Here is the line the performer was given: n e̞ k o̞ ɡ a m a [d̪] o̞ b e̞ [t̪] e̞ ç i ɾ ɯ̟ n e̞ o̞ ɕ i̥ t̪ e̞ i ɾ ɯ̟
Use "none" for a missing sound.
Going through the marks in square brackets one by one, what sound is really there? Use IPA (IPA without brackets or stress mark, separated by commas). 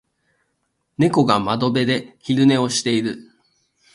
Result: d̪, d̪